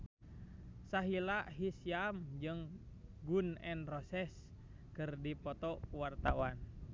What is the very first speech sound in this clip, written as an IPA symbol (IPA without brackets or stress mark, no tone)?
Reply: s